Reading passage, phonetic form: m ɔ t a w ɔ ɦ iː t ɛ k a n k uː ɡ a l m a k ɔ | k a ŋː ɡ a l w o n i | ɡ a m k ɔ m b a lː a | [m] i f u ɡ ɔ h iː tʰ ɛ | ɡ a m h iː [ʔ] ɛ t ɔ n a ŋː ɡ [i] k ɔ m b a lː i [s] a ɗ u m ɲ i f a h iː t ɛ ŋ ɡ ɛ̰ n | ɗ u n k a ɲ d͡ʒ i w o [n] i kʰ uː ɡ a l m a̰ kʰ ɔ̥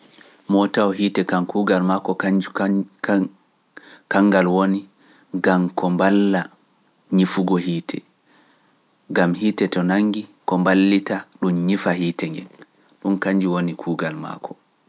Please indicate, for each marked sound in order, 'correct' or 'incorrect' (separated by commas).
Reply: incorrect, incorrect, correct, incorrect, correct